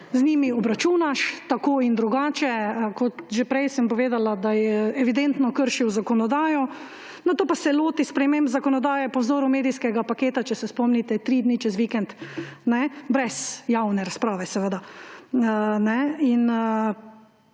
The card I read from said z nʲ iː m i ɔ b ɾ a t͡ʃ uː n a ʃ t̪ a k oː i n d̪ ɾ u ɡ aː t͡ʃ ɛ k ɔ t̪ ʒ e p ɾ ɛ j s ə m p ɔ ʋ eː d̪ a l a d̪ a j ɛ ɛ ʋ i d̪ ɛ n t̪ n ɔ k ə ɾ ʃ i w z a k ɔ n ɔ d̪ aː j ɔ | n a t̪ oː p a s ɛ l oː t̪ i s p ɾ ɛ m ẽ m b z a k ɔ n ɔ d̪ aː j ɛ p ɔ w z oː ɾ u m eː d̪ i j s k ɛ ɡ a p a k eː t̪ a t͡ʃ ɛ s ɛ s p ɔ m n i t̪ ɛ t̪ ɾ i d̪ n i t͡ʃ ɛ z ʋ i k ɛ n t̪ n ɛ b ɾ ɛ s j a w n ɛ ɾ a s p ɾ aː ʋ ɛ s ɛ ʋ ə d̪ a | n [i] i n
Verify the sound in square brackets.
incorrect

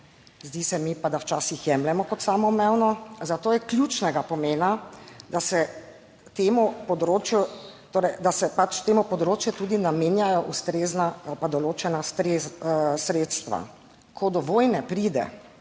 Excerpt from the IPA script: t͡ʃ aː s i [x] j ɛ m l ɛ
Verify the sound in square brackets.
correct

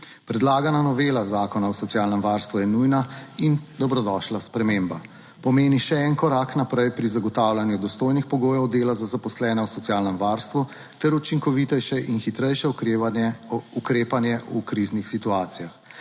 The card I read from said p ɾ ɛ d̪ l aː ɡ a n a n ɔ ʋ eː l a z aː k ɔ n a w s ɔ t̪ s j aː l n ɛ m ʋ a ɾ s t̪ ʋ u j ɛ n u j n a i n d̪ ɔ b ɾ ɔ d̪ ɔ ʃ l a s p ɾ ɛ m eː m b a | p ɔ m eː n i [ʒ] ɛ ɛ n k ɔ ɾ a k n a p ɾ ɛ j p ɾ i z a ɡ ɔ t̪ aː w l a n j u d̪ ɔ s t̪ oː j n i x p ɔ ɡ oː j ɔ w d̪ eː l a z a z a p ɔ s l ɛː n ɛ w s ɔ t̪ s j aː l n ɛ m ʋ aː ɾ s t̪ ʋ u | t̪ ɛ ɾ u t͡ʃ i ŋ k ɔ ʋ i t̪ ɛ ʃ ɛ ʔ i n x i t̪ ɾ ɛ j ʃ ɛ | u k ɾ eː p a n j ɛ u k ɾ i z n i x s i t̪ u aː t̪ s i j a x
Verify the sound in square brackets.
incorrect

